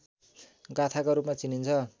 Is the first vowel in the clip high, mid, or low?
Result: low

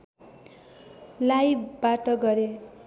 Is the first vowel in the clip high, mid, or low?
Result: low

